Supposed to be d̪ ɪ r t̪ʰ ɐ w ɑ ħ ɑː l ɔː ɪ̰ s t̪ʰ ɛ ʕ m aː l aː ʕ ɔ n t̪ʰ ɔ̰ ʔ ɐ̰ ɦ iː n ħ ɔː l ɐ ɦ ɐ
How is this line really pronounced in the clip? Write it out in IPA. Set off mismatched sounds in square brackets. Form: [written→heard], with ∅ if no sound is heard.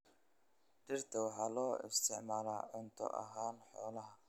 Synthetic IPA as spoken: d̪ ɪ r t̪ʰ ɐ w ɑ ħ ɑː l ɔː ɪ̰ s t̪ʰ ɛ ʕ m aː l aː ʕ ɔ n t̪ʰ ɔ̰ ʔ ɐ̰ ɦ [iː→aː] n ħ ɔː l ɐ ɦ ɐ